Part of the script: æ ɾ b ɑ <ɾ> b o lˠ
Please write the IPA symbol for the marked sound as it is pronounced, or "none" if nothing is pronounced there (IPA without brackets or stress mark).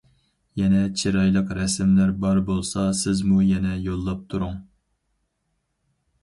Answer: ɾ